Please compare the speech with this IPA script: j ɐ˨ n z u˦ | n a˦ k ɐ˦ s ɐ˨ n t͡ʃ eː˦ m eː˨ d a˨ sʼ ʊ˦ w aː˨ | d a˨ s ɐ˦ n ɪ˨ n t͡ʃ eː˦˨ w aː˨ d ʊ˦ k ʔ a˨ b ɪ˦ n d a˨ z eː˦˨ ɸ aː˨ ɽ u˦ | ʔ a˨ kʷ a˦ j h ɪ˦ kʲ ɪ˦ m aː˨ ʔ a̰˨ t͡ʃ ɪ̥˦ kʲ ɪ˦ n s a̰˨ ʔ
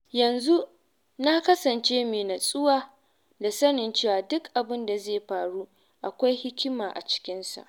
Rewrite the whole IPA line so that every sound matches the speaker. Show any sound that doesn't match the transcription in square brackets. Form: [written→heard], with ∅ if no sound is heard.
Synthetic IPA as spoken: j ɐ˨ n z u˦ | n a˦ k ɐ˦ s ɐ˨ n t͡ʃ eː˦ m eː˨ [d→n] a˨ sʼ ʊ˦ w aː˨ | d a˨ s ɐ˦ n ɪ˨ n t͡ʃ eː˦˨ w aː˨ d ʊ˦ k ʔ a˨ b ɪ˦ n d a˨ z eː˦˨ ɸ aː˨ ɽ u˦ | ʔ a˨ kʷ a˦ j h ɪ˦ kʲ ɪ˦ m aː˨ ʔ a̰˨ t͡ʃ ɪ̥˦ kʲ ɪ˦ n s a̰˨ ʔ